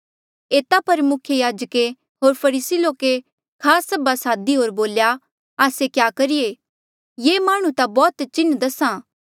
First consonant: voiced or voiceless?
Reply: voiceless